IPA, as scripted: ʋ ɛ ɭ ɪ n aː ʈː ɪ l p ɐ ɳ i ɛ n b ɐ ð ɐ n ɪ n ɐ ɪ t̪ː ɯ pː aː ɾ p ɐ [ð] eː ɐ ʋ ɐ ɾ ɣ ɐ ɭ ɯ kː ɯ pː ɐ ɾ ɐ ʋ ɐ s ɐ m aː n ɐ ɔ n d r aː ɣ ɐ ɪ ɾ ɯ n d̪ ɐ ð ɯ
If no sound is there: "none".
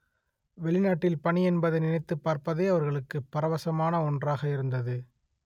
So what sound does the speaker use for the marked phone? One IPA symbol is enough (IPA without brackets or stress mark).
ð